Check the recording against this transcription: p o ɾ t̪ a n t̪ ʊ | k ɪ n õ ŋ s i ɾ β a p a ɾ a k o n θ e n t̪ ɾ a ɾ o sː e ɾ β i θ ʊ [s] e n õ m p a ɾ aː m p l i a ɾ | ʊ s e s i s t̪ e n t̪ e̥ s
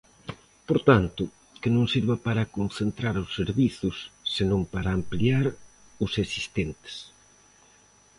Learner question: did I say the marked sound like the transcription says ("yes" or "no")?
no